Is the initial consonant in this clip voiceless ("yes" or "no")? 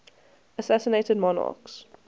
yes